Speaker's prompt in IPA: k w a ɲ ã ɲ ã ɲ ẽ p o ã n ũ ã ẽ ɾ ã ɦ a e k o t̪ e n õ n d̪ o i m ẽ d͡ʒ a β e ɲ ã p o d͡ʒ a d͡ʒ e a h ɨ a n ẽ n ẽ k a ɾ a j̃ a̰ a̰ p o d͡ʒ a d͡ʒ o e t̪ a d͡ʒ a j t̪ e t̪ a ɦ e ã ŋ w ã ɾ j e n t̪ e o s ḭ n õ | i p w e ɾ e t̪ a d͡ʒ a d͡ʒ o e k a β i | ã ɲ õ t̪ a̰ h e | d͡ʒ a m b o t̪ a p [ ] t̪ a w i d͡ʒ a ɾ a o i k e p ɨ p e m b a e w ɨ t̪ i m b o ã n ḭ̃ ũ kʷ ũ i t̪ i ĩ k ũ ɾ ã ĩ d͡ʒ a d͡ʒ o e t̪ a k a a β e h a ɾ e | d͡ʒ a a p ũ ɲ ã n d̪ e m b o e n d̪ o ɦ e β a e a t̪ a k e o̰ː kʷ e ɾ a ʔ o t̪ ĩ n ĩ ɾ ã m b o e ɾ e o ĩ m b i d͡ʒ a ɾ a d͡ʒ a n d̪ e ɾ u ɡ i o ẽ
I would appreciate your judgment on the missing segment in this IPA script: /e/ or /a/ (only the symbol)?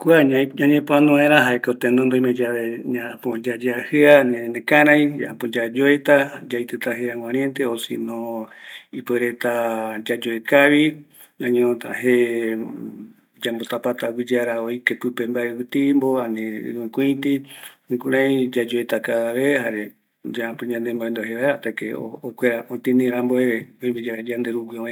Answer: a